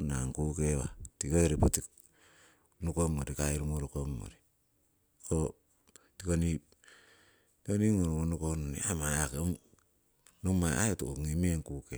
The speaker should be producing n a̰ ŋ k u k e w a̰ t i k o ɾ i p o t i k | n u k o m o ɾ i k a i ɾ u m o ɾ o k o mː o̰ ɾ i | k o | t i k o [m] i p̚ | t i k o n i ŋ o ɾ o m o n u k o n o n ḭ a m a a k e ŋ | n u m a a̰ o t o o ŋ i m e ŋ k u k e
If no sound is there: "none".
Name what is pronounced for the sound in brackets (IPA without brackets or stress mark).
n